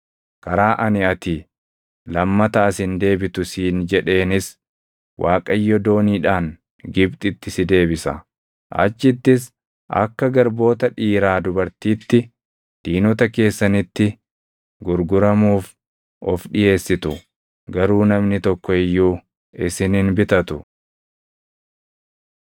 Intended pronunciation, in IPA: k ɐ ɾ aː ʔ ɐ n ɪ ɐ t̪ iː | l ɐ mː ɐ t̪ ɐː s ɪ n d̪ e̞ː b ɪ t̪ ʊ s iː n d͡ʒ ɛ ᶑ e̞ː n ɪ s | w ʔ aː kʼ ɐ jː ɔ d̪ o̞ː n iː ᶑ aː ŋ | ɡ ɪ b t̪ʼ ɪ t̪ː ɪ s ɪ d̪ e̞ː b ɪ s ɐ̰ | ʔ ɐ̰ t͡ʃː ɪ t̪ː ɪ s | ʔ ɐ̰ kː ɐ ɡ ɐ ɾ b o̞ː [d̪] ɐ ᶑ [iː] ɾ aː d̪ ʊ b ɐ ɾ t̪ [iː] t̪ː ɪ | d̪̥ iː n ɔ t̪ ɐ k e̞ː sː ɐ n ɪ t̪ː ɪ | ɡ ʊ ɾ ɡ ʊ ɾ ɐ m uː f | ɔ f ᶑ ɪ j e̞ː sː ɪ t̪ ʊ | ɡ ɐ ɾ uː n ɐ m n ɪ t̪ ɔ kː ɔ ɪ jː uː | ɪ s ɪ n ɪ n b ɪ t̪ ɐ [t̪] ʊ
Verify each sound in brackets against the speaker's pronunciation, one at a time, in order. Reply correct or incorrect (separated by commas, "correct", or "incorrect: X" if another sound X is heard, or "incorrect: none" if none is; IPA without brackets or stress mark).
incorrect: t̪, correct, correct, correct